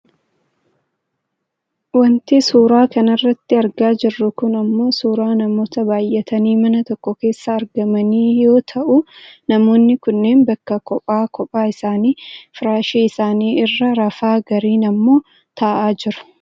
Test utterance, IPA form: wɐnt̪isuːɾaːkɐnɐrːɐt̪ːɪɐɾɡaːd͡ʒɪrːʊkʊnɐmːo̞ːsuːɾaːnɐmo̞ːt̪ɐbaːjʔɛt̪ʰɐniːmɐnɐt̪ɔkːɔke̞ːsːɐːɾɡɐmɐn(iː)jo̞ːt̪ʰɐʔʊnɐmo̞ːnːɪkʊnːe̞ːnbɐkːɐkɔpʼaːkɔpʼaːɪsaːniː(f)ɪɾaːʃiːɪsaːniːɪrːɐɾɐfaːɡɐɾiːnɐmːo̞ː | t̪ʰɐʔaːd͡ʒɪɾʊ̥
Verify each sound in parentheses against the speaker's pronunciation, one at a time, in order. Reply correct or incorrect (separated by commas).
correct, correct